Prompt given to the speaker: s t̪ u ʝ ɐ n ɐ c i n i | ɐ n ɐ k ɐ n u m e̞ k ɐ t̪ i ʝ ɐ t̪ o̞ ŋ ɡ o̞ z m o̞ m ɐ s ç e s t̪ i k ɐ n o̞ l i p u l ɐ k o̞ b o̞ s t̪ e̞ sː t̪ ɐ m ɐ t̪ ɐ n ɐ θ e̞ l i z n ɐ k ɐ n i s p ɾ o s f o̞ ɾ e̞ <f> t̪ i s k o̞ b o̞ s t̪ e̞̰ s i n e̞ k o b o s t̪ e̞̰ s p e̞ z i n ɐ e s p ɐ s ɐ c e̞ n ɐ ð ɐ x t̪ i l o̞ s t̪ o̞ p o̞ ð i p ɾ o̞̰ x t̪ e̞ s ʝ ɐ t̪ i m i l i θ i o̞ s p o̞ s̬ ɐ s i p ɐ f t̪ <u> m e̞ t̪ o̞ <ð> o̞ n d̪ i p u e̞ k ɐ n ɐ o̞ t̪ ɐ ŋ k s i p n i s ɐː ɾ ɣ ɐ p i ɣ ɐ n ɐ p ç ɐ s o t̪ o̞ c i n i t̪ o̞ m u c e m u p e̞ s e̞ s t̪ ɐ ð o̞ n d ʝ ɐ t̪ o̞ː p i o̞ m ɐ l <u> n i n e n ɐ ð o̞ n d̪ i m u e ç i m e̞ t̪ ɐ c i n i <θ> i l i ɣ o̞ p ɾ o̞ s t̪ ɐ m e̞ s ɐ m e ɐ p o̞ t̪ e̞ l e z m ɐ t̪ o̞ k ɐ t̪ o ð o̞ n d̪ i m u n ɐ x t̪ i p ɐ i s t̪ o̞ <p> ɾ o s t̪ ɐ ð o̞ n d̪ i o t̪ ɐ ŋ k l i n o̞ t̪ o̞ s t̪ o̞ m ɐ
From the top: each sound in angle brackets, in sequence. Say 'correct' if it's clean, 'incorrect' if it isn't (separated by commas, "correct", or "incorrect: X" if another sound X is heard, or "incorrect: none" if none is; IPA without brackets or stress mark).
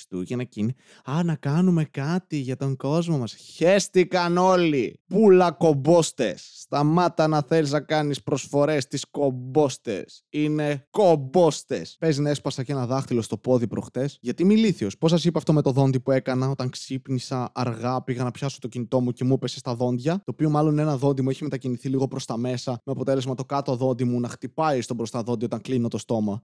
incorrect: s, incorrect: o, correct, incorrect: o, correct, incorrect: b